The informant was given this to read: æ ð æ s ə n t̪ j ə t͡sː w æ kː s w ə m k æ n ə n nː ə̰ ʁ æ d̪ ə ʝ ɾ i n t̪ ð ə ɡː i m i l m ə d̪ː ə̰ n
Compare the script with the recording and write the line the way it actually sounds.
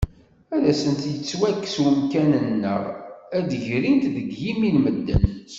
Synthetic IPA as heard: æ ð æ s ə n t̪ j ə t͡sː w æ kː s w ə m k æ n ə n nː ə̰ ʁ æ d̪ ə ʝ ɾ i n t̪ ð ə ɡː i m i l m ə d̪ː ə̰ n

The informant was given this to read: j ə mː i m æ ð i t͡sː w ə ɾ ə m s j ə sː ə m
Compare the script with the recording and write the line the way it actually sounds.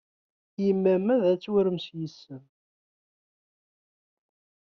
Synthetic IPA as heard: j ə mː æ m æ ð æ t͡sː w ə ɾ ə m s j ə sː ə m

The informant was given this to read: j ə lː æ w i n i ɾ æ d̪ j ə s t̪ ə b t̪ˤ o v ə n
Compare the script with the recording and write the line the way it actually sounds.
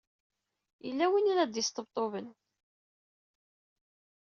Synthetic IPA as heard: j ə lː æ w i n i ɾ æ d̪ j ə s t̪ ə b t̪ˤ o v ə n

